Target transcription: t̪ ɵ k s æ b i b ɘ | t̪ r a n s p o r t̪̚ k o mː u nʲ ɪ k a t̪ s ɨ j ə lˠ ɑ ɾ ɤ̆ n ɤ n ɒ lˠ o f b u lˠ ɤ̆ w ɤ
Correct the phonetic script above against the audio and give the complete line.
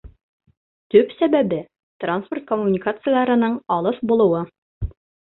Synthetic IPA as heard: t̪ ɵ p s æ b æ b ɘ | t̪ r a n s p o r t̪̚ k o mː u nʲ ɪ k a t̪ s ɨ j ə lˠ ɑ ɾ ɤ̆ n ɤ ɴ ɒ lˠ ɤ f b u lˠ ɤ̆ w ɤ